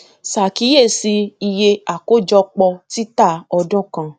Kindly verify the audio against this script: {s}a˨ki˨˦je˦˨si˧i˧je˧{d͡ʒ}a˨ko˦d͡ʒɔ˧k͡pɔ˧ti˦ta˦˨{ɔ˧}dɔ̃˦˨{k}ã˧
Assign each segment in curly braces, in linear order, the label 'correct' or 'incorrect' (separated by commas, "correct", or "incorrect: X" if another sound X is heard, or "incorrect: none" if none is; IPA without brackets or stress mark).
correct, incorrect: none, correct, correct